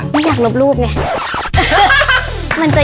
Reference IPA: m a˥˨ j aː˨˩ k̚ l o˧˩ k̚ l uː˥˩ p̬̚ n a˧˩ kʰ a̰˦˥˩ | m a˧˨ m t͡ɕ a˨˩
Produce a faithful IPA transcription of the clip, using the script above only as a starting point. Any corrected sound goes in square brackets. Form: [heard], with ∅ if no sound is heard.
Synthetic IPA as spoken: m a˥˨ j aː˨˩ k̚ l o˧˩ [p̚] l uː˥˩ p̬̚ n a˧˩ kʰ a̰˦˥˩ | m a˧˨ [n] t͡ɕ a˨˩